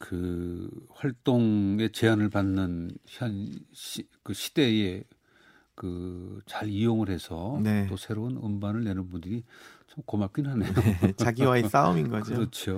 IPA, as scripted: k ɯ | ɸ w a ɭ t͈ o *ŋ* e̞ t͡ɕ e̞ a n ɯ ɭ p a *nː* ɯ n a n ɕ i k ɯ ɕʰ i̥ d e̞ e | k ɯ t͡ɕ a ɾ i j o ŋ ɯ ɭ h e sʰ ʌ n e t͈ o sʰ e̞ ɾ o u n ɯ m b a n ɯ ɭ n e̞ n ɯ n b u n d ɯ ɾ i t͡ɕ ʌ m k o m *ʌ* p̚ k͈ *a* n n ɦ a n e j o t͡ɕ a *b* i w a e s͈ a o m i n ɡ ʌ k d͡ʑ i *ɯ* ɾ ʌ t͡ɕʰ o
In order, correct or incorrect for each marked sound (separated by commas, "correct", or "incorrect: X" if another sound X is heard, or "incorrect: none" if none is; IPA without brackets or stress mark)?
correct, correct, incorrect: a, incorrect: i, incorrect: ɡ, correct